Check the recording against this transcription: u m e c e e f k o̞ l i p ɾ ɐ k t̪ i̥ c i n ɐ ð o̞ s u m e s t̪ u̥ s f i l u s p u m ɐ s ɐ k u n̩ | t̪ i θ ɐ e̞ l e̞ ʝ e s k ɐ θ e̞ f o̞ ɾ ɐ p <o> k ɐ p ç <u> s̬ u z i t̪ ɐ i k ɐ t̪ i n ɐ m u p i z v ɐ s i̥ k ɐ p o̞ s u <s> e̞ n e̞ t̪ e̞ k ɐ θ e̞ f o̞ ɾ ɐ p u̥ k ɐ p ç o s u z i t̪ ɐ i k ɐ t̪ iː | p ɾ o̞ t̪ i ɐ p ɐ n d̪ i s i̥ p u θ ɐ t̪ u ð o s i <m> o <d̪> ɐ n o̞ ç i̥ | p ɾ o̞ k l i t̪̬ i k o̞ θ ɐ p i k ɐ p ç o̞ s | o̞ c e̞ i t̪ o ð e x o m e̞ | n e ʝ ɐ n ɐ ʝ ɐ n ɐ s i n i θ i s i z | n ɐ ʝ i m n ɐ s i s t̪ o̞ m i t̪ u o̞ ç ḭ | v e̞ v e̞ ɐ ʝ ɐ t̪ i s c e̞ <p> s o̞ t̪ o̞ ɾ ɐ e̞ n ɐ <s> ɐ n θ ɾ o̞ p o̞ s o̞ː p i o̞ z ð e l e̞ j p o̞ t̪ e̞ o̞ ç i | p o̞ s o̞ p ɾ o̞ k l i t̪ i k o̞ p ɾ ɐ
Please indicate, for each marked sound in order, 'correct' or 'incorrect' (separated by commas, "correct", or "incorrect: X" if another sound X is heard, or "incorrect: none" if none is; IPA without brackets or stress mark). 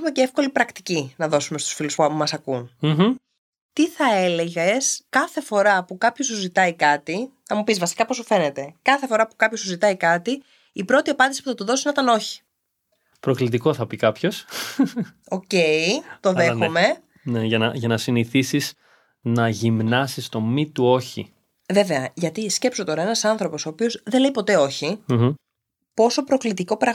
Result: incorrect: u, incorrect: o, incorrect: f, incorrect: n, incorrect: t̪, correct, correct